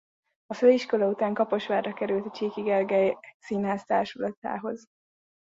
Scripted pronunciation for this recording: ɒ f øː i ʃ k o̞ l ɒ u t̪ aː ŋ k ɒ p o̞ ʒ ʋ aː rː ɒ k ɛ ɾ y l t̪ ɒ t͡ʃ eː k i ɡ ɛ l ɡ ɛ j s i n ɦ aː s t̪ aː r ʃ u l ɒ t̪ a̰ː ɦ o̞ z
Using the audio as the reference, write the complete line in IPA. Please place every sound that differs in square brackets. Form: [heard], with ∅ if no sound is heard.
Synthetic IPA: ɒ f øː i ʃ k o̞ l ɒ u t̪ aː ŋ k ɒ p o̞ [ʃ] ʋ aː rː ɒ k ɛ ɾ y l t̪ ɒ t͡ʃ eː k i ɡ ɛ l ɡ ɛ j s i n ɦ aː s t̪ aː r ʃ u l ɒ t̪ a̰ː ɦ o̞ z